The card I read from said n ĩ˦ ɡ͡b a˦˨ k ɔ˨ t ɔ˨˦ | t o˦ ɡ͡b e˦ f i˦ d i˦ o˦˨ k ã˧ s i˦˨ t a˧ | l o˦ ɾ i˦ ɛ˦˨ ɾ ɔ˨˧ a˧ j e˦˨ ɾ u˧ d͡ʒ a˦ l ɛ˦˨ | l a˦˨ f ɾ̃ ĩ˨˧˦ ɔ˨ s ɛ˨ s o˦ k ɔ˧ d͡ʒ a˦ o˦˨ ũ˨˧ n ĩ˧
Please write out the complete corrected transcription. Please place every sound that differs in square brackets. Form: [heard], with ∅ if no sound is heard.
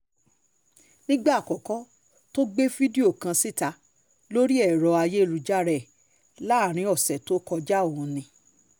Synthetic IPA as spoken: n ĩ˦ ɡ͡b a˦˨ k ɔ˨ [k] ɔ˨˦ | t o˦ ɡ͡b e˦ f i˦ d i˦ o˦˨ k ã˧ s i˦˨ t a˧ | l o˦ ɾ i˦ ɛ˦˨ ɾ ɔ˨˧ a˧ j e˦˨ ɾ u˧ d͡ʒ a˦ [ɾ] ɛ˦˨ | l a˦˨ [∅] ɾ̃ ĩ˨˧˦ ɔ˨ s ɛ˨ [t] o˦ k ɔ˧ d͡ʒ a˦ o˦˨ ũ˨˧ n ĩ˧